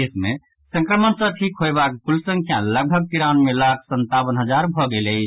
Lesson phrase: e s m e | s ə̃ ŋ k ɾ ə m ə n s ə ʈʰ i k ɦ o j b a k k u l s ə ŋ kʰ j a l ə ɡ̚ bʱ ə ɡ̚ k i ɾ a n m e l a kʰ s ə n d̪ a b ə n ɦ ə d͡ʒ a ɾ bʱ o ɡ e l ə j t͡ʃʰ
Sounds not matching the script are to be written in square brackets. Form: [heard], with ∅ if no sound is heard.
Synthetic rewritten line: e s m e | s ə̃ ŋ k ɾ ə m ə n s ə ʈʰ i k ɦ o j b a k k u l s ə ŋ kʰ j a l ə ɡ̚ bʱ ə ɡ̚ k i ɾ a n m e l a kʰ s ə n [t̪] a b ə n ɦ ə d͡ʒ a ɾ bʱ [ɔ] ɡ e l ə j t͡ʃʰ